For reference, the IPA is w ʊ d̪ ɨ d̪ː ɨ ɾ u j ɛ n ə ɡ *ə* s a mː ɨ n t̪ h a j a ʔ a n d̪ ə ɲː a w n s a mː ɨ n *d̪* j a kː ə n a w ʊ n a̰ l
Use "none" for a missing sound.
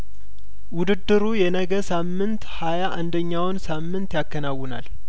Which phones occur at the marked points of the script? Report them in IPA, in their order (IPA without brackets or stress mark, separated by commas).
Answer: ə, t̪